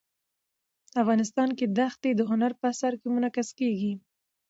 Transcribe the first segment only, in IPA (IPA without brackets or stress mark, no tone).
a